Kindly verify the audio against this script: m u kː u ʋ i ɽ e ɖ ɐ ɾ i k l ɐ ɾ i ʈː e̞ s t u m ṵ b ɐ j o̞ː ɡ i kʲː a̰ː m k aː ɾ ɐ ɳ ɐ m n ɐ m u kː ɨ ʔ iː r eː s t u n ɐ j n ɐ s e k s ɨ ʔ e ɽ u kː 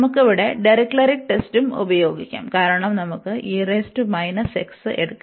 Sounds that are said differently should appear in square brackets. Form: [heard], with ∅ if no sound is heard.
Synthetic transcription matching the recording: m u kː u ʋ i ɽ e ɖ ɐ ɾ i k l ɐ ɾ i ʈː e̞ s t u m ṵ b ɐ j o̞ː ɡ i kʲː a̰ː m k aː ɾ ɐ ɳ ɐ m n ɐ m u kː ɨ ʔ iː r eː s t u [m] ɐ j n ɐ s e k s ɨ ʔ e ɽ u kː